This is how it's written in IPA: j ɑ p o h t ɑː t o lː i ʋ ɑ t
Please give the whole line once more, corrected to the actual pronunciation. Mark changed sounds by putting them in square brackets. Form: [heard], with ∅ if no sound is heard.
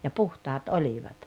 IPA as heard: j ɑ p [u] h t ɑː t o [l] i ʋ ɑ t